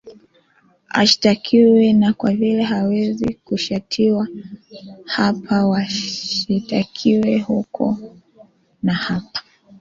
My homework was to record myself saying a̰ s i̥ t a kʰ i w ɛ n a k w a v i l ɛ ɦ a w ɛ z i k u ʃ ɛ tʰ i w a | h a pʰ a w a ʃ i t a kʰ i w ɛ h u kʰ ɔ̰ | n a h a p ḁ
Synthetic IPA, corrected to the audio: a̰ ʃ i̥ t a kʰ i w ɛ n a k w a v i l ɛ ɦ a w ɛ z i k u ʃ a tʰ i w a | h a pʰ a w a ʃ i t a kʰ i w ɛ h u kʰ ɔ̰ | n a h a p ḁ